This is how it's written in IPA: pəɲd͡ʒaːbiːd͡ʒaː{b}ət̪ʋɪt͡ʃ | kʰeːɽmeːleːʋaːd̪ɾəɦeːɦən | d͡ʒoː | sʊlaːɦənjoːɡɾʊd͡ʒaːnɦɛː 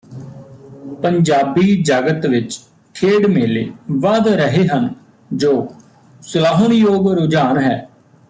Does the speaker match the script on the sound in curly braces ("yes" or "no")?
no